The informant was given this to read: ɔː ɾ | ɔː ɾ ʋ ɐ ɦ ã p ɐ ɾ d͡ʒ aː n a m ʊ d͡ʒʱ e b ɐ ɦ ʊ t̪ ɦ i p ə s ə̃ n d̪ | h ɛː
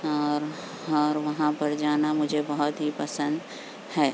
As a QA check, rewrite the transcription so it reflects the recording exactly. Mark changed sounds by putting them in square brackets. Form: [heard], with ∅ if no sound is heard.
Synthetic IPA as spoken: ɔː ɾ | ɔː ɾ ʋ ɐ ɦ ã p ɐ ɾ d͡ʒ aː n a m ʊ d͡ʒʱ e b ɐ ɦ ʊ t̪ ɦ i p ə s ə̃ n d̪ | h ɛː